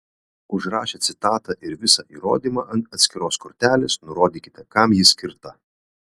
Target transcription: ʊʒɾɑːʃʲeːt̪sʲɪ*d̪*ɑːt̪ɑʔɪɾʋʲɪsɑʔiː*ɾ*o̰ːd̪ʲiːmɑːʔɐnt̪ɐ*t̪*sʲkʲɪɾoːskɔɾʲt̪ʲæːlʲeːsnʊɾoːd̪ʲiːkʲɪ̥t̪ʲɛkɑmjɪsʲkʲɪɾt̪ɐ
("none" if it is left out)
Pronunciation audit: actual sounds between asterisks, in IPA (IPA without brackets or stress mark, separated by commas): t̪, ɾ, t̪